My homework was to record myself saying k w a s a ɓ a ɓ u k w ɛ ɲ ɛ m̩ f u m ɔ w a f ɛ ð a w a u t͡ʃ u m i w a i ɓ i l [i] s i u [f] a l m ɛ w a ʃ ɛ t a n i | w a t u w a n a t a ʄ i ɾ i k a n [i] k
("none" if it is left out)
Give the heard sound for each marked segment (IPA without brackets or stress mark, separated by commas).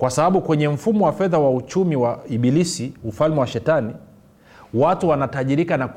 i, f, a